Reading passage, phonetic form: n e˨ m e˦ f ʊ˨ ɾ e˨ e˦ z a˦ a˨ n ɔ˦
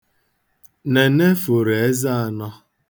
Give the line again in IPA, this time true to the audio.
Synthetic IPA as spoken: n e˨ n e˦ f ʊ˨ ɾ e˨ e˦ z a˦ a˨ n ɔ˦